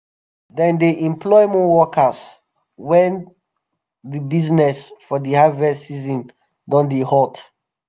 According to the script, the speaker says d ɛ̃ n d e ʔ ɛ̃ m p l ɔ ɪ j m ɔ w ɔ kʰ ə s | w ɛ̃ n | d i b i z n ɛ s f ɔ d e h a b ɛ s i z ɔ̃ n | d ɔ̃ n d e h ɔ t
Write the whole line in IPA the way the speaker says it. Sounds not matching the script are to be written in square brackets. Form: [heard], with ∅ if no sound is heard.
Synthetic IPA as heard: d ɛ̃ n d e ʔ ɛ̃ m p l ɔ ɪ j m ɔ w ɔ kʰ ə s | w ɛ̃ n | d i b i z n ɛ s f ɔ d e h a [v] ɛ s i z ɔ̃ n | d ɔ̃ n d e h ɔ t